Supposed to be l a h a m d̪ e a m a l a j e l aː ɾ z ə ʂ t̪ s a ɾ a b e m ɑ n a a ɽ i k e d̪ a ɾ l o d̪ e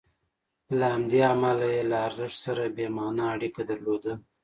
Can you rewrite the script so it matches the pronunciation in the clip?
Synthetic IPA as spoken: l a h a m d̪ e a m a l a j e l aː ɾ z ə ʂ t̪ s a ɾ a b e m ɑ n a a ɽ i k a d̪ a ɾ l o d̪ a